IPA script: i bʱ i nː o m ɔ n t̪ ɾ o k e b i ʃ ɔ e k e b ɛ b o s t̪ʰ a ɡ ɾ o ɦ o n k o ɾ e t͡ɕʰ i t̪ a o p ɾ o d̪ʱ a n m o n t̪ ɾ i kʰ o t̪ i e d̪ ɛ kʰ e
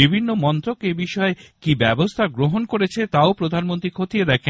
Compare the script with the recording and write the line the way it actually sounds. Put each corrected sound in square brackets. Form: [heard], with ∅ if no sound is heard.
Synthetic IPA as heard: i bʱ i nː o m ɔ n t̪ ɾ o k e b i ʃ ɔ e k [i] b ɛ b o s t̪ʰ a ɡ ɾ o ɦ o n k o ɾ e t͡ɕʰ [e] t̪ a o p ɾ o d̪ʱ a n m o n t̪ ɾ i kʰ o t̪ i e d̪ ɛ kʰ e

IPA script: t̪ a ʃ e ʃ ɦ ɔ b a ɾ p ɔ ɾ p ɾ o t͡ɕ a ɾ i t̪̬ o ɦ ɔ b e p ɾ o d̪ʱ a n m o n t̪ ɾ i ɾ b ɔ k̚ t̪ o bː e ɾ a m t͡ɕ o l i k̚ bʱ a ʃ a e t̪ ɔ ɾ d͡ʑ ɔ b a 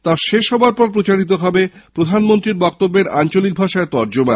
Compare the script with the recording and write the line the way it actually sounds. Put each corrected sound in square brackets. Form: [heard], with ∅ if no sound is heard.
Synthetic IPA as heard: t̪ a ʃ e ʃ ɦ ɔ b a ɾ p ɔ ɾ p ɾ o t͡ɕ a ɾ i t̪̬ o ɦ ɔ b e p ɾ o d̪ʱ a n m o n t̪ ɾ i ɾ b ɔ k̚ t̪ o bː e ɾ a [n] t͡ɕ o l i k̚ bʱ a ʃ a e t̪ ɔ ɾ d͡ʑ [o] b a

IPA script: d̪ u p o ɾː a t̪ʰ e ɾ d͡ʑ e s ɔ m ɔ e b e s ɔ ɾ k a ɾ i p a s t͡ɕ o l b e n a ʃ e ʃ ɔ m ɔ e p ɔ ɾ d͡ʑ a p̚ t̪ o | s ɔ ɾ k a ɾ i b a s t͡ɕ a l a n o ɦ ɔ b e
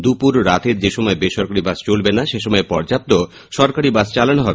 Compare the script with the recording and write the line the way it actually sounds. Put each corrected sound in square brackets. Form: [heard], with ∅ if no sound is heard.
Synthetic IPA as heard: d̪ u p [u] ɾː a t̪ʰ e ɾ d͡ʑ e [ʃ] ɔ m ɔ e b e [ʃ] ɔ ɾ k a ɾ i [b] a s t͡ɕ o l b e n a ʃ e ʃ ɔ m ɔ e p ɔ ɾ d͡ʑ a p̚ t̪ o | [ʃ] ɔ ɾ k a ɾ i b a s t͡ɕ a l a n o ɦ ɔ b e

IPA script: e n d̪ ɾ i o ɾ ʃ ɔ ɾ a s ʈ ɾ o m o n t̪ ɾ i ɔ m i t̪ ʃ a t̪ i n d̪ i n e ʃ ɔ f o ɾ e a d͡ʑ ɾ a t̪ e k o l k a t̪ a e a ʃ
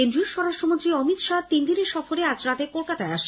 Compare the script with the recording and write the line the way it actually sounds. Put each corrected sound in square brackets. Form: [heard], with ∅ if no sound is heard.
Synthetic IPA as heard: e n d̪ ɾ i o ɾ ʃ ɔ ɾ a [ʃ] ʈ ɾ o m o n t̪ ɾ i ɔ m i t̪ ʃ a t̪ i n d̪ i n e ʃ ɔ f o ɾ e a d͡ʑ ɾ a t̪ e k o l k a t̪ a e a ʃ

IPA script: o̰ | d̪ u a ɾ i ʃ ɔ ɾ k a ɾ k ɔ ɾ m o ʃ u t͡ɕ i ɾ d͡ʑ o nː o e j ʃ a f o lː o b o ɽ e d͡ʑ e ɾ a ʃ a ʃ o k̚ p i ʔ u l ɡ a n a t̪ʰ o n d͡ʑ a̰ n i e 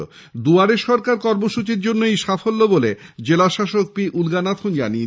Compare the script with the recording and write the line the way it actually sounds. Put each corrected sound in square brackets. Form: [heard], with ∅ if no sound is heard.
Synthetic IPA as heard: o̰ | d̪ u a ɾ [e] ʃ ɔ ɾ k a ɾ k ɔ ɾ m o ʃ u t͡ɕ i ɾ d͡ʑ o nː o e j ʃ a f o lː o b o [l] e d͡ʑ e [l] a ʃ a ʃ o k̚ p i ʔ u l ɡ a n a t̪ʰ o n d͡ʑ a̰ n i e

